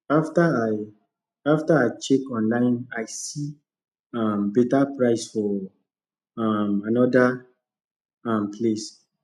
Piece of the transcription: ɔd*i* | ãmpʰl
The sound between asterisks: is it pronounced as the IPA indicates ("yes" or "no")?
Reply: no